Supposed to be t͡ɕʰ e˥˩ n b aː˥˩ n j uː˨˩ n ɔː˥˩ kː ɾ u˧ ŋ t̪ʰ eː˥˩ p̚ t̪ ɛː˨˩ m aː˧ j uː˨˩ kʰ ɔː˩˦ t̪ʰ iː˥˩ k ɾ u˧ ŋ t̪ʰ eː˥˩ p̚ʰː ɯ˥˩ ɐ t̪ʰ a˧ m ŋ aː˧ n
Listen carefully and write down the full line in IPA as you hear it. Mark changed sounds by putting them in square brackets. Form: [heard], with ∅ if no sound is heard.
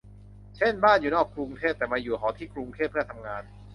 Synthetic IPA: t͡ɕʰ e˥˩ n b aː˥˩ n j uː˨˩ n ɔː˥˩ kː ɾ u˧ ŋ t̪ʰ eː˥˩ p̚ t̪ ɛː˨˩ m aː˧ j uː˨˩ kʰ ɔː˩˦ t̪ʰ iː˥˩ k ɾ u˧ ŋ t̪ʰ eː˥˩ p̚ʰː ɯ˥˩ ɐ t̪ʰ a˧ m ŋ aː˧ n